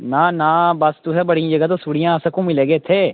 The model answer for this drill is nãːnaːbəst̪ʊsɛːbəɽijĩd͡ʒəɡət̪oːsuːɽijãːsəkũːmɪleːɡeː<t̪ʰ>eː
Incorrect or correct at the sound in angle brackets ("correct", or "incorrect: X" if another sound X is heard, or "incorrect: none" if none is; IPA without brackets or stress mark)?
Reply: correct